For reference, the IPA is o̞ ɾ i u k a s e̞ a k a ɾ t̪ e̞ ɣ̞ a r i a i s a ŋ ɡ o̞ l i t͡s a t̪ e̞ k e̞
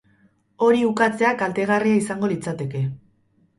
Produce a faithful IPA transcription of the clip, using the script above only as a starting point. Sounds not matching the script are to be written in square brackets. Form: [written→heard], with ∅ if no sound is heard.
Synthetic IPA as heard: o̞ ɾ i u k a [s→t͡s] e̞ a k a [ɾ→l] t̪ e̞ ɣ̞ a r i a i s a ŋ ɡ o̞ l i t͡s a t̪ e̞ k e̞